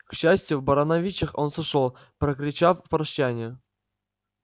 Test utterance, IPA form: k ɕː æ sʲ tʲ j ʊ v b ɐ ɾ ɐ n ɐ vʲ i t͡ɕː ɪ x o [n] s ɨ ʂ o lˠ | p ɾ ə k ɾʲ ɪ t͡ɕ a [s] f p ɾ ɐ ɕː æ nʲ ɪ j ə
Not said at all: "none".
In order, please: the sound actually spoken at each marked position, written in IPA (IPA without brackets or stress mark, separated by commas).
n, f